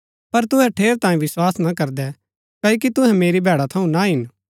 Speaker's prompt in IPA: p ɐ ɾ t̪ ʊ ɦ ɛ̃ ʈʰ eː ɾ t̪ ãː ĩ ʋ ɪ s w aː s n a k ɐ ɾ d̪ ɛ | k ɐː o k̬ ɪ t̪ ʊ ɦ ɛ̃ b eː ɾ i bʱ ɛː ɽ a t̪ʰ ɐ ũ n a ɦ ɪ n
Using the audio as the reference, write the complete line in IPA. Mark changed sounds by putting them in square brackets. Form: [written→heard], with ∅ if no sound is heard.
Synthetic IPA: p ɐ ɾ t̪ ʊ ɦ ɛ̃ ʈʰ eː ɾ t̪ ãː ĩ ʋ ɪ s w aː s n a k ɐ ɾ d̪ ɛ | k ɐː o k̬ [ɪ→i] t̪ ʊ ɦ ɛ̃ [b→m] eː ɾ i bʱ ɛː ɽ a t̪ʰ ɐ ũ n a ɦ ɪ n